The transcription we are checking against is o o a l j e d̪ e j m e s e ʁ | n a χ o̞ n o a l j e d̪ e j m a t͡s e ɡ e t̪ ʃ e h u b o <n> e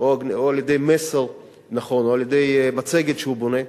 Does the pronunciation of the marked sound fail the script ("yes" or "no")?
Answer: no